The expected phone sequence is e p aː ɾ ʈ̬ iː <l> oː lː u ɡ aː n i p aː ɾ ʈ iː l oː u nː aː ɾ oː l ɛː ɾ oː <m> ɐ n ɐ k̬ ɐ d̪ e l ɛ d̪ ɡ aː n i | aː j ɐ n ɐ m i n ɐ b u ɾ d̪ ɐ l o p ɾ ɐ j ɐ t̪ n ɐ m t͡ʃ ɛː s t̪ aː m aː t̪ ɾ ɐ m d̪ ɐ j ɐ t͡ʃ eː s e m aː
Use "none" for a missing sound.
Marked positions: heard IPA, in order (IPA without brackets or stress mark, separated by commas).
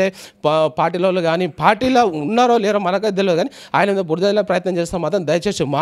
l, m